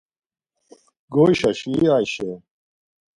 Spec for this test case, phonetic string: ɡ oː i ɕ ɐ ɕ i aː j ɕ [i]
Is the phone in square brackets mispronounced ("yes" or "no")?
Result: yes